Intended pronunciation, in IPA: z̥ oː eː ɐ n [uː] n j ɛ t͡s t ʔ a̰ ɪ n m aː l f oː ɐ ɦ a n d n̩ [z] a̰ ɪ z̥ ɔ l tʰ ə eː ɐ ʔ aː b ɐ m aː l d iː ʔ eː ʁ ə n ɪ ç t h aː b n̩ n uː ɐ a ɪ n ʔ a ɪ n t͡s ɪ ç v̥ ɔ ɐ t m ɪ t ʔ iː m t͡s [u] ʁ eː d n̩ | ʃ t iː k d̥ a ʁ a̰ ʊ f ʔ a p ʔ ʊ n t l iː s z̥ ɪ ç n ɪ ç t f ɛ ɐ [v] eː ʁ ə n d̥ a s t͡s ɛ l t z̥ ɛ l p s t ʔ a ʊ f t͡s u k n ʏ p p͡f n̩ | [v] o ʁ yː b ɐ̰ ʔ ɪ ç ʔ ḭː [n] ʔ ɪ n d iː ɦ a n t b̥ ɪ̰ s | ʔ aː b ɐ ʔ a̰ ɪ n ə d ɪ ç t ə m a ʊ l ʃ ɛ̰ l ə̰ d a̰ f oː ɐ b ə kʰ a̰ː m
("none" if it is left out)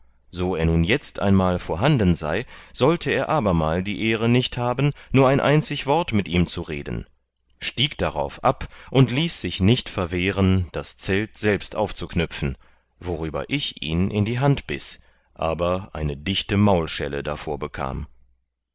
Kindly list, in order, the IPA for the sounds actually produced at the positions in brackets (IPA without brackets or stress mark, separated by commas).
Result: uː, z, u, v, v, n